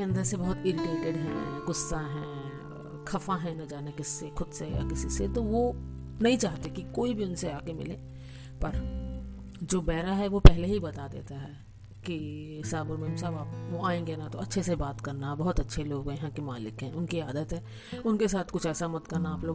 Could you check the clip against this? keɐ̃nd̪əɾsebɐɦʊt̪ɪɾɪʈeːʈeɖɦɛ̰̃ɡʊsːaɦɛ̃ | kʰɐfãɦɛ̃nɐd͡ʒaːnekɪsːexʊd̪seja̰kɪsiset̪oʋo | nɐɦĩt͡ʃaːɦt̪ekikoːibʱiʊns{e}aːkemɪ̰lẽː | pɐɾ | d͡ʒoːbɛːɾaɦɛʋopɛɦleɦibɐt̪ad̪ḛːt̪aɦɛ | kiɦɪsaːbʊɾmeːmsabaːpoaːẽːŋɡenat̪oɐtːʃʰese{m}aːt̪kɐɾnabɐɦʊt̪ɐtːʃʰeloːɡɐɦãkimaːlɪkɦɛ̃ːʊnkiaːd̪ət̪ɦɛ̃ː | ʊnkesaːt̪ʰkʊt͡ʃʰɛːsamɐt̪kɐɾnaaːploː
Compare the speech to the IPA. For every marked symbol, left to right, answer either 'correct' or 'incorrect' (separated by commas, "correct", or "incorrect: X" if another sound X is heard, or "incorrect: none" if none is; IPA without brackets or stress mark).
correct, incorrect: b